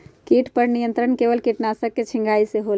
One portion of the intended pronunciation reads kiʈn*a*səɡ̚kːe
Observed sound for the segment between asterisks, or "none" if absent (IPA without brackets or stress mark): a